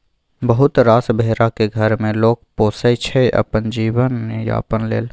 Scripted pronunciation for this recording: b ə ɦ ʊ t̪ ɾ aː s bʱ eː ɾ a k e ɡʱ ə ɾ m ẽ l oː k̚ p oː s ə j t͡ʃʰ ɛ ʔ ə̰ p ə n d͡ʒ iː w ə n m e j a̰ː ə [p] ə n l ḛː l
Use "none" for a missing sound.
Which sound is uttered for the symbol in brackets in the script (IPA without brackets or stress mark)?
p